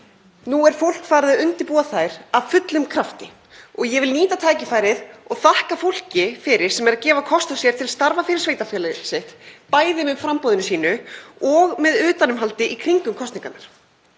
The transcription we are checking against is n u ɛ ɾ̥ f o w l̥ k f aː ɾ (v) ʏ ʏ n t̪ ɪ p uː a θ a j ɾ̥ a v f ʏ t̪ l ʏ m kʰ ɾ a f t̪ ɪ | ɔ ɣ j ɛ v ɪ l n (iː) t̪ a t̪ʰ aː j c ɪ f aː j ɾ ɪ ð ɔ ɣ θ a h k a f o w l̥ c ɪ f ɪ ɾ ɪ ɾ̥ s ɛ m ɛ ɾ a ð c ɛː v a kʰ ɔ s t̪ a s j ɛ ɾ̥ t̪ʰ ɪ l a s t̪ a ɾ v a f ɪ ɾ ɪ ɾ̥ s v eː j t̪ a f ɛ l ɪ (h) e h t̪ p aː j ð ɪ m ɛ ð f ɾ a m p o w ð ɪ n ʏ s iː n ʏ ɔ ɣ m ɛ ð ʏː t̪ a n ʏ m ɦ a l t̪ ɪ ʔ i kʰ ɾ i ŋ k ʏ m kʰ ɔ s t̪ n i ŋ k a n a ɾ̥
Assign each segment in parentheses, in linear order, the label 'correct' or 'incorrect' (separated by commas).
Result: incorrect, correct, incorrect